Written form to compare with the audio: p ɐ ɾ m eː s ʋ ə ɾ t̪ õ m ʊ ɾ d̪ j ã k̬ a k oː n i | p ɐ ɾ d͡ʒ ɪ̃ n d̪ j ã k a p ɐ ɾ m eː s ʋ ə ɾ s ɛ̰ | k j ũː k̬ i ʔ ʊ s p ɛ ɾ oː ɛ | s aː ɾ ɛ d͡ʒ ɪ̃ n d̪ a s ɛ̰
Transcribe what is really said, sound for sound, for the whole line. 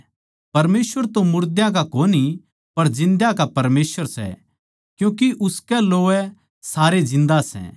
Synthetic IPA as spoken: p ɐ ɾ m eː s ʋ ə ɾ t̪ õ m ʊ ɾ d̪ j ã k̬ a k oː n i | p ɐ ɾ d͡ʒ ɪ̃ n d̪ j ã k a p ɐ ɾ m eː s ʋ ə ɾ s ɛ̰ | k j ũː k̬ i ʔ ʊ s k ɛ l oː ɛ | s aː ɾ e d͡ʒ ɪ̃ n d̪ a s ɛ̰